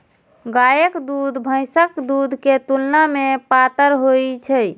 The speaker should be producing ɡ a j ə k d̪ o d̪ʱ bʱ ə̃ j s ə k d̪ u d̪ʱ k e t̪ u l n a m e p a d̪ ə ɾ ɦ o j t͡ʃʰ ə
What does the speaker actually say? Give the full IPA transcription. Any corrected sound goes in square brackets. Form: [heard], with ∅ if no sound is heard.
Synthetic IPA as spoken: ɡ a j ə k d̪ [u] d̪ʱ bʱ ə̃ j s ə k d̪ u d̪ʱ k e t̪ u l n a m e p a [t̪] ə ɾ ɦ o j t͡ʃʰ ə